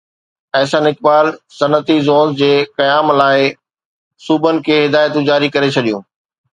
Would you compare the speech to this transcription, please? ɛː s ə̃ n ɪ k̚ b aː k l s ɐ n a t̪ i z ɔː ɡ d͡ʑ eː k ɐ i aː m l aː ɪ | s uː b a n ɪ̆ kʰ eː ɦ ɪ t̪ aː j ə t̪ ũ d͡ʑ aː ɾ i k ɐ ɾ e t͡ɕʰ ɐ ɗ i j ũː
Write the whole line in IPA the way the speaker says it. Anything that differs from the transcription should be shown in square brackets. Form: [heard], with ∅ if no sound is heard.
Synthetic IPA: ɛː s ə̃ n ɪ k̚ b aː [∅] l s ɐ n [ə] t̪ i z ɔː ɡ d͡ʑ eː k ɐ [j] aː m l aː ɪ | s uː b [ə] n ɪ̆ kʰ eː ɦ ɪ [d̪] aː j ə t̪ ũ d͡ʑ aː ɾ i k ɐ ɾ e t͡ɕʰ ɐ ɗ i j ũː